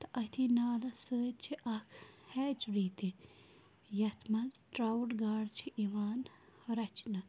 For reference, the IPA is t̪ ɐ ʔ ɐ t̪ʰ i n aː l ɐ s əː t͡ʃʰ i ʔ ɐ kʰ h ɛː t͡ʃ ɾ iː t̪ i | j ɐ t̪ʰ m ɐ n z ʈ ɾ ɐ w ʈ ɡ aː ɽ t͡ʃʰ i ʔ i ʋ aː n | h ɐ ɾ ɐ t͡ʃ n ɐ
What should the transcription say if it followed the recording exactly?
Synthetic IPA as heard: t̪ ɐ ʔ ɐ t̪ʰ i n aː l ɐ s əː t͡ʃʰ i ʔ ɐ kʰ h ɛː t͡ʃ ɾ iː t̪ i | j ɐ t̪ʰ m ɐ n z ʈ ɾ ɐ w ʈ ɡ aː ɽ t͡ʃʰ i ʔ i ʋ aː n | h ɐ ɾ ɐ t͡ʃ n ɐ